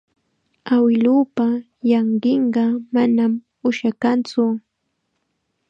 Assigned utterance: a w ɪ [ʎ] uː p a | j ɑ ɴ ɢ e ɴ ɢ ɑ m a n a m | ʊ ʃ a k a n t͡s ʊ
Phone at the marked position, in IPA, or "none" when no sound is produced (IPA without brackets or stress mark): l